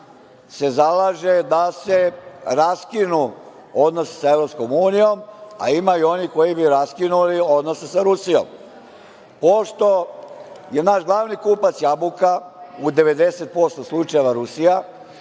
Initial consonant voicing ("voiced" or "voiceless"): voiceless